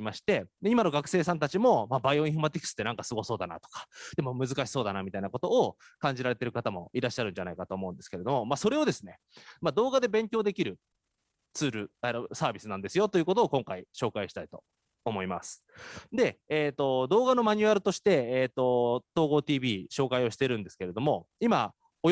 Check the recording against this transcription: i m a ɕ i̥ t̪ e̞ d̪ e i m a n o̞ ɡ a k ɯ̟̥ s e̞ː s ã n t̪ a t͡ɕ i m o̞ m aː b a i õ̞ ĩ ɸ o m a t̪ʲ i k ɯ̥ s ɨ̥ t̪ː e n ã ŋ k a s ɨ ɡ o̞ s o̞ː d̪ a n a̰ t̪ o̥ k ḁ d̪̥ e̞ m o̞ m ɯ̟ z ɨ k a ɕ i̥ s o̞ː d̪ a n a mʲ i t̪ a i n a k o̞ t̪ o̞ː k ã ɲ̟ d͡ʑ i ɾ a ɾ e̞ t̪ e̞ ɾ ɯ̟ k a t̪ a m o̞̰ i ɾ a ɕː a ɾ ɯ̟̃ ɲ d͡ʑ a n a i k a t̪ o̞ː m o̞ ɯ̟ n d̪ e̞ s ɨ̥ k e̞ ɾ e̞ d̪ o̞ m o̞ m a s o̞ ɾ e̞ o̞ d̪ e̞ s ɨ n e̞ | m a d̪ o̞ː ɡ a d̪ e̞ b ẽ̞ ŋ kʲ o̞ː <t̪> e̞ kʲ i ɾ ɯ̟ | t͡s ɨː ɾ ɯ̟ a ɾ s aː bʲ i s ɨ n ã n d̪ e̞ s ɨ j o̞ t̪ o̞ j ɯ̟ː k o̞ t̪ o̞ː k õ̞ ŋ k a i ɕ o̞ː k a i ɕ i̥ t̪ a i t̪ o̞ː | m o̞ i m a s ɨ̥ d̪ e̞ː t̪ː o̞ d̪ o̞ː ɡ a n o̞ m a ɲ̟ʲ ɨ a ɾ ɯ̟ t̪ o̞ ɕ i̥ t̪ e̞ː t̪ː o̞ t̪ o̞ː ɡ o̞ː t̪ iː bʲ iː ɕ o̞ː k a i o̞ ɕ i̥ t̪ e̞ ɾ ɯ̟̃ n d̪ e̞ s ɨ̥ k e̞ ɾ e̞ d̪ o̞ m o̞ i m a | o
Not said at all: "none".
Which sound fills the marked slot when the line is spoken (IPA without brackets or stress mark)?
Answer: d̪